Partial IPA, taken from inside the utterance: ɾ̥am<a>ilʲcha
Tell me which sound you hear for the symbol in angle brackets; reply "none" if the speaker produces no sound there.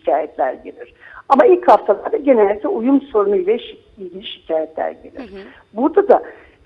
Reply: a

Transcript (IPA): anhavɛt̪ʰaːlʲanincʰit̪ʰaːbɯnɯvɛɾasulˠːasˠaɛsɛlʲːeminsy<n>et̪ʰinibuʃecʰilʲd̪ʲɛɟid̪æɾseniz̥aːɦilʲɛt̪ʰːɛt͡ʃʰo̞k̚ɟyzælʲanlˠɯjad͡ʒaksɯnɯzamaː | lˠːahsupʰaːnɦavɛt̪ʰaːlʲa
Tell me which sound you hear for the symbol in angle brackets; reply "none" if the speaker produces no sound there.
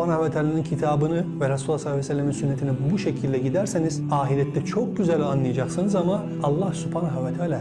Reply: nː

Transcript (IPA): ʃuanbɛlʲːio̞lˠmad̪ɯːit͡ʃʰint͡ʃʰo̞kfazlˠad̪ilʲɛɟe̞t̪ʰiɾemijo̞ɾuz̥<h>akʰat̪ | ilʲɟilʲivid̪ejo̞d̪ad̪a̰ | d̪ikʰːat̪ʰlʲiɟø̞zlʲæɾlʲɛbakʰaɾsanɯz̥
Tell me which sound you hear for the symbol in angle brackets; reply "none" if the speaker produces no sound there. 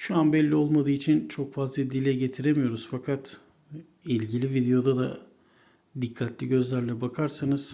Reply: f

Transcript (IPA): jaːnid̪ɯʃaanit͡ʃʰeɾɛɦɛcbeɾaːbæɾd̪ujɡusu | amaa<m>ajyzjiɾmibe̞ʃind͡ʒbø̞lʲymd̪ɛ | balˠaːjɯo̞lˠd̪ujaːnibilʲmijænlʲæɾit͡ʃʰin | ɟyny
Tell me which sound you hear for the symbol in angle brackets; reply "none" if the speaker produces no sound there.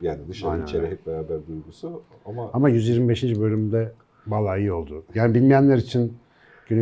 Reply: m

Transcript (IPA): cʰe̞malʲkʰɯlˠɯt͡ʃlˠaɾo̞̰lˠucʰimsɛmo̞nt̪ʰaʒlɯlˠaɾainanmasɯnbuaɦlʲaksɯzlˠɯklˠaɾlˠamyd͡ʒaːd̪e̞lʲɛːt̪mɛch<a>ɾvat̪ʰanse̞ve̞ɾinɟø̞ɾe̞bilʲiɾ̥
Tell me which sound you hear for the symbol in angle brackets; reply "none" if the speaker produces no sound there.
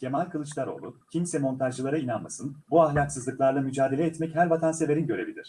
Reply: æ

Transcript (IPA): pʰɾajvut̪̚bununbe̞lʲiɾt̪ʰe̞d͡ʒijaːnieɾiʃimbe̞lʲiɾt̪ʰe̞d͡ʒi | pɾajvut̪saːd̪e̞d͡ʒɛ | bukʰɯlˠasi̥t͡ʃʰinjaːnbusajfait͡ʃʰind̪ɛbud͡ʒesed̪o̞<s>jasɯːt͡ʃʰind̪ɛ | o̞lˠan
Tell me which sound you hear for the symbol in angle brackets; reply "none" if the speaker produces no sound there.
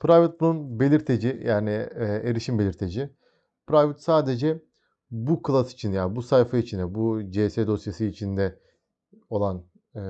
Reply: s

